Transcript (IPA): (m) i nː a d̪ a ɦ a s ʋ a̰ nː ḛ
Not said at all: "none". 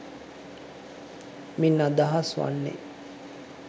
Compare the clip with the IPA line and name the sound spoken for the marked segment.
m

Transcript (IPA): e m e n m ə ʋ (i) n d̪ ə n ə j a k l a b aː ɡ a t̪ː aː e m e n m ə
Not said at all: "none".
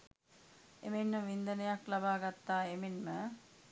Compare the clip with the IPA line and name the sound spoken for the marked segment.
i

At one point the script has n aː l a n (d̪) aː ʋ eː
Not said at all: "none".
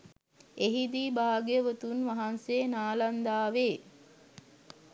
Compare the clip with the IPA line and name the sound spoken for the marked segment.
d̪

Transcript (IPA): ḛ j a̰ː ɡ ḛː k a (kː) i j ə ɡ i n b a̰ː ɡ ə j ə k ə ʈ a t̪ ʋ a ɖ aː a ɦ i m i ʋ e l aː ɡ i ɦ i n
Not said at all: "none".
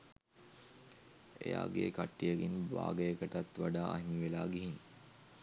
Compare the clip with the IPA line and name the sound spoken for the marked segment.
ʈː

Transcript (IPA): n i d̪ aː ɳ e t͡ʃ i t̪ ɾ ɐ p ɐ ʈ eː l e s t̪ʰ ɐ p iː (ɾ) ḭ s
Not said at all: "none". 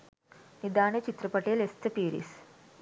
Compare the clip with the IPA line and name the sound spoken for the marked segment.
ɾ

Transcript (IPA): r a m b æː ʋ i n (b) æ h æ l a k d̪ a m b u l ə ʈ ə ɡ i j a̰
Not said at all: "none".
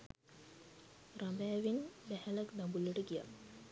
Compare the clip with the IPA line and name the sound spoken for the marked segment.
b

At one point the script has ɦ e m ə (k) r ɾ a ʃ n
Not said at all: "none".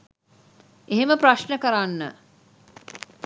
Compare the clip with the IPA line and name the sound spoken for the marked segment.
p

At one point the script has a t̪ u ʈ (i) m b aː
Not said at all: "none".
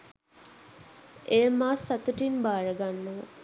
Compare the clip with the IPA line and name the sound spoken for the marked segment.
i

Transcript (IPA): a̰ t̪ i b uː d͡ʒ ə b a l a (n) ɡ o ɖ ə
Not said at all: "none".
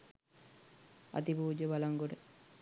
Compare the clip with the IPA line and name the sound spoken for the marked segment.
ŋ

